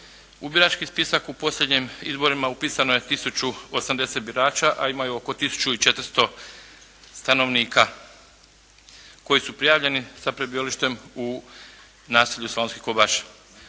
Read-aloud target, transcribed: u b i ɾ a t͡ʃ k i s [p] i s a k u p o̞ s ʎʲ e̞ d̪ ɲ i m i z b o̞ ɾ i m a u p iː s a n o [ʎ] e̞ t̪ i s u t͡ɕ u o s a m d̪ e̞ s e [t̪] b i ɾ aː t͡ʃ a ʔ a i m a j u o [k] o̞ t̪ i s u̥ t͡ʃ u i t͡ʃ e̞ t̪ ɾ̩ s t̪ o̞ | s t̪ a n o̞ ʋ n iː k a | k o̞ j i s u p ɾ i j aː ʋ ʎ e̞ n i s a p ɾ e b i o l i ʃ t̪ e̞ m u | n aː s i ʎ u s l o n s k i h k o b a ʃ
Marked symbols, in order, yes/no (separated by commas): yes, no, yes, yes